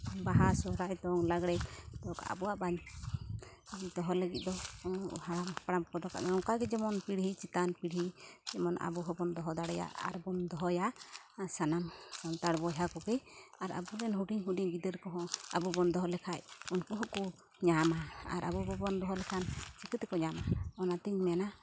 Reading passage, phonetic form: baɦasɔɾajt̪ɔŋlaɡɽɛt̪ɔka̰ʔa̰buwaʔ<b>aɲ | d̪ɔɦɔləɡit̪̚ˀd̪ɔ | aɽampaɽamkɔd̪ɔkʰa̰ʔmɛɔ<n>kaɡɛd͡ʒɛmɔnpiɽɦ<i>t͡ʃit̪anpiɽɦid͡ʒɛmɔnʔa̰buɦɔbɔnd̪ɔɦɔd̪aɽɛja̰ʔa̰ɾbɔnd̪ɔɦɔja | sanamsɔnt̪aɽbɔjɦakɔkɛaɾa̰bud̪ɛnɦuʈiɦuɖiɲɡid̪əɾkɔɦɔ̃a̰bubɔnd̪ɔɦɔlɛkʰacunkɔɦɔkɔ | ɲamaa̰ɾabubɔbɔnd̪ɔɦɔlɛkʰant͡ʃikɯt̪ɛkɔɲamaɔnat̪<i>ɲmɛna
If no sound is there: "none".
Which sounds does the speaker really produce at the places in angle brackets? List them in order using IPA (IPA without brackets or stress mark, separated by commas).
b, ŋ, i, i